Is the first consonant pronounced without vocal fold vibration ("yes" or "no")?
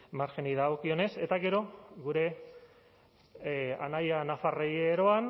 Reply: no